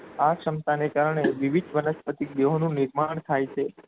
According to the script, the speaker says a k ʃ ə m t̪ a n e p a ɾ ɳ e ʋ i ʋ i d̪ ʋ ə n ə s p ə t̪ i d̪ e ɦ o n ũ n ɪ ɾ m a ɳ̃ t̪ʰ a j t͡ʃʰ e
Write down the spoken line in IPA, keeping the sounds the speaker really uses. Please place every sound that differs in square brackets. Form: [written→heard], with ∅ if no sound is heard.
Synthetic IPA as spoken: a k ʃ ə m t̪ a n e [p→k] a ɾ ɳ e ʋ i ʋ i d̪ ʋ ə n ə s p ə t̪ i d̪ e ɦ o n ũ n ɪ ɾ m a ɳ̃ t̪ʰ a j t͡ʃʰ e